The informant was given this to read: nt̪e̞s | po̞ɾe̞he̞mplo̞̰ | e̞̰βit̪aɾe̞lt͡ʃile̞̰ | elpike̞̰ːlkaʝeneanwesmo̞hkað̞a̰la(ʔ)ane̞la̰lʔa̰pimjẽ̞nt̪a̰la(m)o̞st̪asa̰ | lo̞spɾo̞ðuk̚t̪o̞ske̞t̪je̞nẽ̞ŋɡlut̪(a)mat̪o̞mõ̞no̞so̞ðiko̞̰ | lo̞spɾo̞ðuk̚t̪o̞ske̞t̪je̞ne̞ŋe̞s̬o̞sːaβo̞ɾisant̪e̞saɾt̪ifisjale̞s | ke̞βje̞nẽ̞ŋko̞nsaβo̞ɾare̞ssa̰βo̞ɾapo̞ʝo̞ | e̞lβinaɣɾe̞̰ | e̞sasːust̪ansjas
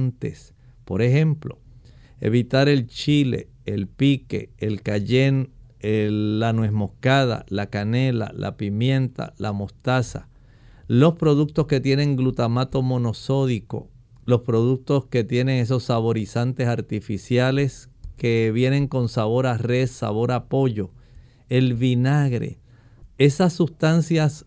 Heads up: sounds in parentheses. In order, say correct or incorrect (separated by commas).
incorrect, correct, correct